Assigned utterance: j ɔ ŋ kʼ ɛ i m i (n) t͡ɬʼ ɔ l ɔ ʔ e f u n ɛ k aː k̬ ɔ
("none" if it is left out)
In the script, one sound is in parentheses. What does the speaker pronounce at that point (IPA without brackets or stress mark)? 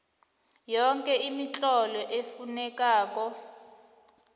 none